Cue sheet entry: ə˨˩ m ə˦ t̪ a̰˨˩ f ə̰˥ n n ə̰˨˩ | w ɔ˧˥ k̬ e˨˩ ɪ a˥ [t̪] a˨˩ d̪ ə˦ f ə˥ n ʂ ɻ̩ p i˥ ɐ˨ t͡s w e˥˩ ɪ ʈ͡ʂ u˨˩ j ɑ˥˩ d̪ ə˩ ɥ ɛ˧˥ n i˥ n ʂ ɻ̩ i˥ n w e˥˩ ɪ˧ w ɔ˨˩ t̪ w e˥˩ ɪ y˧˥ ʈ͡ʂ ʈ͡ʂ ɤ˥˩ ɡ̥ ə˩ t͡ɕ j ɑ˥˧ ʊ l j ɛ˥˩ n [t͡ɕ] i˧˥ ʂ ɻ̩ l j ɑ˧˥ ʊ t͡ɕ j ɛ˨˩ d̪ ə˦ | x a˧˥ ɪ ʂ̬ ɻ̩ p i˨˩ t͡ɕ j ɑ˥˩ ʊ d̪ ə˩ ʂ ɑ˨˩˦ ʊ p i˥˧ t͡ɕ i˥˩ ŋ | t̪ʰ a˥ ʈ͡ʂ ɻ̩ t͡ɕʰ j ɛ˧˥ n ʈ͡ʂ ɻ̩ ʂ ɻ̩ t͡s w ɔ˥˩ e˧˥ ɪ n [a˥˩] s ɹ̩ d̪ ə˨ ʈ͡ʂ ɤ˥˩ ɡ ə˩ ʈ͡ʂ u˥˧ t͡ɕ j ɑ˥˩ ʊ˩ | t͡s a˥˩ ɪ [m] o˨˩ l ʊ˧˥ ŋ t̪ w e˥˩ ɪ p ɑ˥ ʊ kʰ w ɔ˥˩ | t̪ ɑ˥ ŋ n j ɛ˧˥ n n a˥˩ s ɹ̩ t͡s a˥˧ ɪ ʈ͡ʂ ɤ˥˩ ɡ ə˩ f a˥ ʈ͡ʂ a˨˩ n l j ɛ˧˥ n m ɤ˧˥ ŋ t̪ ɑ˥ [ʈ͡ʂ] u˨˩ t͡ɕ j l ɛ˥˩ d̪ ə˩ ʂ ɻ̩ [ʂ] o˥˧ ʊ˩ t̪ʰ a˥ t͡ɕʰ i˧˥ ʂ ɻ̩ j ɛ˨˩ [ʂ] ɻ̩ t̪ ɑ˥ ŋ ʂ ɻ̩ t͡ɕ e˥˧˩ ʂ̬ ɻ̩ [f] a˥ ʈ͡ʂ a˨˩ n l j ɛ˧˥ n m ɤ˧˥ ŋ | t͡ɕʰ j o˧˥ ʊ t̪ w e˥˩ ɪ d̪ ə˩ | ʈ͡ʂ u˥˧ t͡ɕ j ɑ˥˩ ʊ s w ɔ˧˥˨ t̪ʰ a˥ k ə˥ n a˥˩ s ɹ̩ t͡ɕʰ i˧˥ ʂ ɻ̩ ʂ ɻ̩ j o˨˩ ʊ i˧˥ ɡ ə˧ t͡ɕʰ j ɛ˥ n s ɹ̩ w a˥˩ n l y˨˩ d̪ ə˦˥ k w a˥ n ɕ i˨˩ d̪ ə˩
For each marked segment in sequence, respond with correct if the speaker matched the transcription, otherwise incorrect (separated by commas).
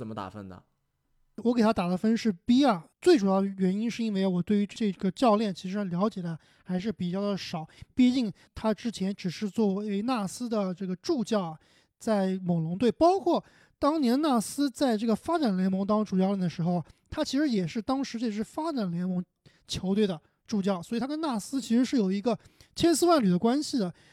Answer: correct, incorrect, correct, correct, correct, incorrect, correct, correct